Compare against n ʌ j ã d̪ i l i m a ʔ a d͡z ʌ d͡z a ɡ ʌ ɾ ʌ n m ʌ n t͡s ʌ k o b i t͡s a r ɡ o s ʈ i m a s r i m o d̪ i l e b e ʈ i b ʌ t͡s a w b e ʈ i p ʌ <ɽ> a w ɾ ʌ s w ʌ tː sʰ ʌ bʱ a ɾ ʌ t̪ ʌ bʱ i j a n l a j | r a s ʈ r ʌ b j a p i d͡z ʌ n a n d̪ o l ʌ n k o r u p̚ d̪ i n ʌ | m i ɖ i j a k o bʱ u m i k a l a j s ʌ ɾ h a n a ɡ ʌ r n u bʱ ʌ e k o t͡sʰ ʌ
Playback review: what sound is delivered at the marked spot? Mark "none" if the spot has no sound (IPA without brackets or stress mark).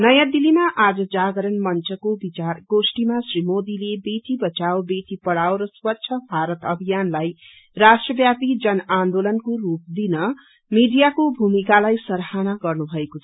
ɽ